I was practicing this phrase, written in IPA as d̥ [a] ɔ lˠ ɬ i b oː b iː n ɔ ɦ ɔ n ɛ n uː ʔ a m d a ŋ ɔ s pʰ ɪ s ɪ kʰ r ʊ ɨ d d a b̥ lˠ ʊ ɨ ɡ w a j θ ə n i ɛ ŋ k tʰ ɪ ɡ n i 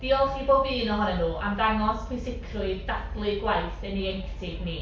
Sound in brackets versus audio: incorrect: i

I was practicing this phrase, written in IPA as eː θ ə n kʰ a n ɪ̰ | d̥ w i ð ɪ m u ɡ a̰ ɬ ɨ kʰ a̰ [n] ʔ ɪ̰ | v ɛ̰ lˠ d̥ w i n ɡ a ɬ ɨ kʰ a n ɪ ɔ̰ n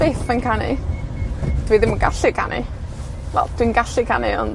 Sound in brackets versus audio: correct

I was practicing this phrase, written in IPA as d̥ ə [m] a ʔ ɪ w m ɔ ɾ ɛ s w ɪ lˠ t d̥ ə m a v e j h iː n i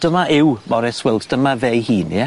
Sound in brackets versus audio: correct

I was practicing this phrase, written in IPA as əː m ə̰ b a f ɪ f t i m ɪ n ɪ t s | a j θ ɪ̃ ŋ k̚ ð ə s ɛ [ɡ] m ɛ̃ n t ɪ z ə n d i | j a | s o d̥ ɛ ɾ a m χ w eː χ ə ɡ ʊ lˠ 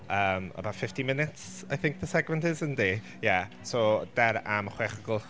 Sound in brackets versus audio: correct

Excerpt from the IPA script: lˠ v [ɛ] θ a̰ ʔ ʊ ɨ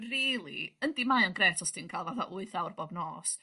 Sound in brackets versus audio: incorrect: a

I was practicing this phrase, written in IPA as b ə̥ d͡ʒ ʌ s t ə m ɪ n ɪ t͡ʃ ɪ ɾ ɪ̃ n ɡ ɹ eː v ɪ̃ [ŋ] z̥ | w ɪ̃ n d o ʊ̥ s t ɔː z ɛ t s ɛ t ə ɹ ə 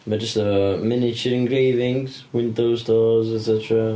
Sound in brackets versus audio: correct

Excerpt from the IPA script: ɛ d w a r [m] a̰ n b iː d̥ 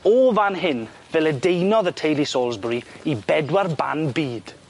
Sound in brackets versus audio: incorrect: b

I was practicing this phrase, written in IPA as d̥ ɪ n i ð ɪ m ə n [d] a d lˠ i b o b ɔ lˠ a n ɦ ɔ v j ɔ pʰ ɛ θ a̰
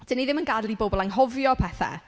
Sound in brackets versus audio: incorrect: ɡ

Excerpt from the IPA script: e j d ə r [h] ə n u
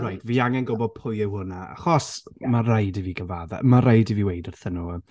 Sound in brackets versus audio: incorrect: θ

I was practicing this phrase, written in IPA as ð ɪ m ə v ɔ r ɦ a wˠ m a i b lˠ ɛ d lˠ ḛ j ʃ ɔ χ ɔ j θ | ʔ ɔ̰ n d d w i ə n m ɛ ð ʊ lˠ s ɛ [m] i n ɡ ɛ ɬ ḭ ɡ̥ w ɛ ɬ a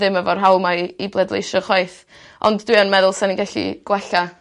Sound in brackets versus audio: incorrect: n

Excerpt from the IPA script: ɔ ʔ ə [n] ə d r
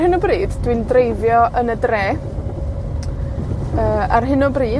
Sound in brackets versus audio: correct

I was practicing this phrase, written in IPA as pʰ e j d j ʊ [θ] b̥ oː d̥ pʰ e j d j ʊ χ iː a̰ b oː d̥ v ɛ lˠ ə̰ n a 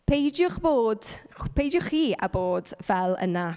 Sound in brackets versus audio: incorrect: χ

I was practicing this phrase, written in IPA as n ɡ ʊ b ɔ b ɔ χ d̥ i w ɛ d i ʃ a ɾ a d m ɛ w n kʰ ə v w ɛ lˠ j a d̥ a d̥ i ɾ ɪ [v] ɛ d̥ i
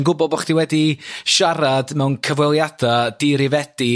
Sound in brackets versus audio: correct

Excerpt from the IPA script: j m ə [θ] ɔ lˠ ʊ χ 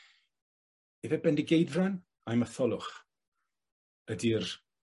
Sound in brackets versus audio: correct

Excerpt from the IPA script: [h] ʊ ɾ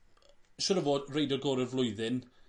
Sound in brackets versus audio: incorrect: ʃ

